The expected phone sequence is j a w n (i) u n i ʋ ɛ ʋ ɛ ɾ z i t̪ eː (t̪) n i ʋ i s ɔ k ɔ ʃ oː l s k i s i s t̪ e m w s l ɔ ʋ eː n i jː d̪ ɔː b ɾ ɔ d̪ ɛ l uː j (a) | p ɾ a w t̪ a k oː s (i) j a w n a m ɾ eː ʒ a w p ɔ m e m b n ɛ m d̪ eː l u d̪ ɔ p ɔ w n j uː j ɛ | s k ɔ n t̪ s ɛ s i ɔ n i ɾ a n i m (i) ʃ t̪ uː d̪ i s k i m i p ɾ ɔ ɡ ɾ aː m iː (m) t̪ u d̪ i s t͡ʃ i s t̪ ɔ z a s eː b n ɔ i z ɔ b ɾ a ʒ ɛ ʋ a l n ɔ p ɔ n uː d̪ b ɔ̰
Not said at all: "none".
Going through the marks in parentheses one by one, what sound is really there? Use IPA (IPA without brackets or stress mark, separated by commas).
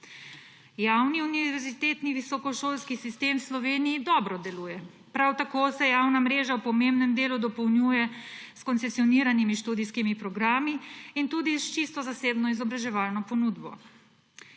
i, t̪, ɛ, ɛ, i, n